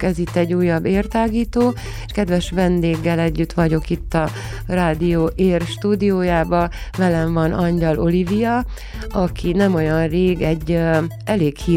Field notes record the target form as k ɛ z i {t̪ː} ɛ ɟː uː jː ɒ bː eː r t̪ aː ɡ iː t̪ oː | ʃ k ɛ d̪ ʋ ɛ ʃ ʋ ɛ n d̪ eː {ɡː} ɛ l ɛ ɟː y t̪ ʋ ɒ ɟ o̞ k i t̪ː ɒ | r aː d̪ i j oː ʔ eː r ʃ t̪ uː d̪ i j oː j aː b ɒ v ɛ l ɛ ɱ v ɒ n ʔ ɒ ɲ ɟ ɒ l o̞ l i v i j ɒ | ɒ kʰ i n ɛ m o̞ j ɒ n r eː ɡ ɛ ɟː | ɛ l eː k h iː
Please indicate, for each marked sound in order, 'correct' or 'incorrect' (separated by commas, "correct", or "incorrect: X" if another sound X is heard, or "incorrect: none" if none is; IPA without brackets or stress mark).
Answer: correct, correct